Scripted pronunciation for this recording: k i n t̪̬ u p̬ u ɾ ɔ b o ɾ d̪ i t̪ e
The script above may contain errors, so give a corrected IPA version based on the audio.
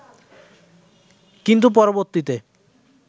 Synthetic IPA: k i n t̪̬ u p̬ ɔ ɾ o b o ɾ t̪ i t̪ e